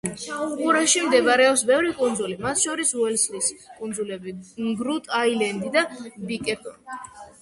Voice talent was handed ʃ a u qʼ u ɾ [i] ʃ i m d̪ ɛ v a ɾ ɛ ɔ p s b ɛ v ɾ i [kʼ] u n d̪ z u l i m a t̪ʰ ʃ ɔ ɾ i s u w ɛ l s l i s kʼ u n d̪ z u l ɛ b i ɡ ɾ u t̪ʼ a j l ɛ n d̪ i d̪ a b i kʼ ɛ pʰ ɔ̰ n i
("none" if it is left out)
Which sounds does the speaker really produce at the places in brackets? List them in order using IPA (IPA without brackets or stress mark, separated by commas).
a, kʼ